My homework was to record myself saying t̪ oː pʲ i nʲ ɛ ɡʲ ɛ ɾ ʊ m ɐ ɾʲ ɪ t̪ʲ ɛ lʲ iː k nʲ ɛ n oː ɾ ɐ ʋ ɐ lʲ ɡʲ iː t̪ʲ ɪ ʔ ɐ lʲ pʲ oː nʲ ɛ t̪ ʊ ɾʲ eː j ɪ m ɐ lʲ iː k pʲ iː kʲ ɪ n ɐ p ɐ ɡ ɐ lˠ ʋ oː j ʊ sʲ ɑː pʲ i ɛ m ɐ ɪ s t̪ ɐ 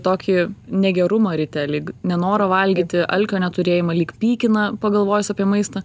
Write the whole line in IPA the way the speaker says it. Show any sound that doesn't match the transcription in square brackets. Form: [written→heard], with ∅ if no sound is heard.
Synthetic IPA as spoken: t̪ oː [pʲ→kʲ] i nʲ ɛ ɡʲ ɛ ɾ ʊ m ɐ ɾʲ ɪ t̪ʲ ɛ lʲ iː k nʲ ɛ n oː ɾ ɐ ʋ ɐ lʲ ɡʲ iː t̪ʲ ɪ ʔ ɐ lʲ [pʲ→kʲ] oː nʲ ɛ t̪ ʊ ɾʲ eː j ɪ m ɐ lʲ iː k pʲ iː kʲ ɪ n ɐ p ɐ ɡ ɐ lˠ ʋ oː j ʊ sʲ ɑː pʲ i ɛ m ɐ ɪ s t̪ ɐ